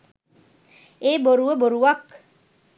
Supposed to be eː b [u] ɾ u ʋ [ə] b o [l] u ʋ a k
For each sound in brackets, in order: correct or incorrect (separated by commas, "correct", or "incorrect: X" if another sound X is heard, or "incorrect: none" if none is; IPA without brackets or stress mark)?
incorrect: o, correct, incorrect: ɾ